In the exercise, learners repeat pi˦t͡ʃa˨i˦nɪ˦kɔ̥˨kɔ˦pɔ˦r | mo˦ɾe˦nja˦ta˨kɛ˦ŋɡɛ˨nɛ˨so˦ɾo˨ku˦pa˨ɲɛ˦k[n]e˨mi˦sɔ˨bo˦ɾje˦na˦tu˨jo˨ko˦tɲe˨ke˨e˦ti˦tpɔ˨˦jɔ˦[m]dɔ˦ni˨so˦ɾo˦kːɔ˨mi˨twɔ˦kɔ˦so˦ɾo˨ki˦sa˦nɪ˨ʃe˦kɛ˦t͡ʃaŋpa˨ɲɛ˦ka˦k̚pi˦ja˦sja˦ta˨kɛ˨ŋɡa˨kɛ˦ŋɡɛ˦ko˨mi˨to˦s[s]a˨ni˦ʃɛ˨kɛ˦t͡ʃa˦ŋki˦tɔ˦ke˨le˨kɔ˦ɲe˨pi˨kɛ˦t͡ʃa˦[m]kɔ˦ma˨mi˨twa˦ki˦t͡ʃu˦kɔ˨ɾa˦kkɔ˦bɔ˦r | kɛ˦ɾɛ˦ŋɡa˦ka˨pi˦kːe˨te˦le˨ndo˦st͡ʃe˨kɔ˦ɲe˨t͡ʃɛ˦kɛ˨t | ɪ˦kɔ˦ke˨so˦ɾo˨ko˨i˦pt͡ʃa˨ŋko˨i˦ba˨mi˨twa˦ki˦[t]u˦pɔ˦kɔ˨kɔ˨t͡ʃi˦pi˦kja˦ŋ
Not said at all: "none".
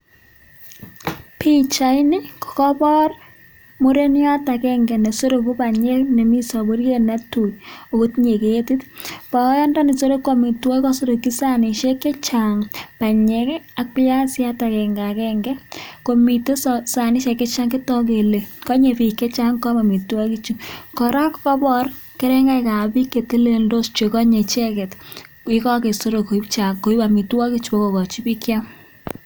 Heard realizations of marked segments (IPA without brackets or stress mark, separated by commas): n, n, s, ŋ, t͡ʃ